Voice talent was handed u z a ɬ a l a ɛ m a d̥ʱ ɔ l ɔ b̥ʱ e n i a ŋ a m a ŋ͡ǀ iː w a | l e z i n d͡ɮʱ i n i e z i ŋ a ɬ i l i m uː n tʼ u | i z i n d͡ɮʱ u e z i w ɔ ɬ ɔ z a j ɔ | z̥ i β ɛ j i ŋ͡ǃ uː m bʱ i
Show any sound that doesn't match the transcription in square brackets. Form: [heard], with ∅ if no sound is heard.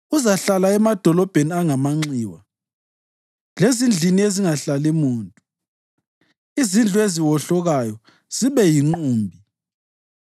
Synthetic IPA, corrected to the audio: u z a ɬ a l a ɛ m a d̥ʱ ɔ l ɔ b̥ʱ e n i a ŋ a m a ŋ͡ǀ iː w a | l e z i n d͡ɮʱ i n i e z i ŋ a ɬ [a] l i m uː n tʼ u | i z i n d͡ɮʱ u e z i w ɔ ɬ ɔ [ɣ] a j ɔ | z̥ i β ɛ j i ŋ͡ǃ uː m bʱ i